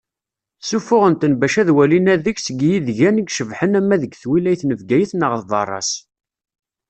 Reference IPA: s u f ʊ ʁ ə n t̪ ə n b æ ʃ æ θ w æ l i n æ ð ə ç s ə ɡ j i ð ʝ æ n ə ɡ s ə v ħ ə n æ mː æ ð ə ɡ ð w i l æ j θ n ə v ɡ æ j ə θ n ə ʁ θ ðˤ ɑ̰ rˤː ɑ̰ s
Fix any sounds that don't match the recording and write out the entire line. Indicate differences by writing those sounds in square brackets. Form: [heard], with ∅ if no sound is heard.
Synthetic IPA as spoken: s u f ʊ ʁ ə n t̪ ə n b æ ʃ æ [ð] w æ l i n æ ð ə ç s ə ɡ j i ð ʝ æ n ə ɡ [ʃ] ə v ħ ə n æ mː æ ð ə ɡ [θ] w i l æ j θ n ə v ɡ æ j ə θ n ə ʁ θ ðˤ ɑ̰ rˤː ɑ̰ s